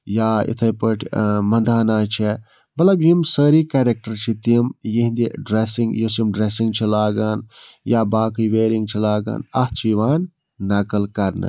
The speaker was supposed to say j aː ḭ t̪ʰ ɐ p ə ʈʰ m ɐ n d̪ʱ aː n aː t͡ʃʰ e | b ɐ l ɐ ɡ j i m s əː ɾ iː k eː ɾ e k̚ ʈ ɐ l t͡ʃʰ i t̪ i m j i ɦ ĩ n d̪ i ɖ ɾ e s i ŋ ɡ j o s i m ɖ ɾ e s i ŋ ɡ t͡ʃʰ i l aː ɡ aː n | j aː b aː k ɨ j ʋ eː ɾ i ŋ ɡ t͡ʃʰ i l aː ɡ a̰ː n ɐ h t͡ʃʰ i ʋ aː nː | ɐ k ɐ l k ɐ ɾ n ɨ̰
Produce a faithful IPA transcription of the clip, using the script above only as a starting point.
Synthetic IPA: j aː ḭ t̪ʰ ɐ p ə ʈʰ m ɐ n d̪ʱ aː n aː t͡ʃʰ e | b ɐ l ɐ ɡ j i m s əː ɾ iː k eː ɾ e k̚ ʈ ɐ ɾ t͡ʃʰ i t̪ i m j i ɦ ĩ n d̪ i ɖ ɾ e s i ŋ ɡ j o s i m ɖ ɾ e s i ŋ ɡ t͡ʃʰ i l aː ɡ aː n | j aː b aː k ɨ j ʋ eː ɾ i ŋ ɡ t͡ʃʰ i l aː ɡ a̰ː n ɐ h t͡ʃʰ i ʋ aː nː | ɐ k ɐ l k ɐ ɾ n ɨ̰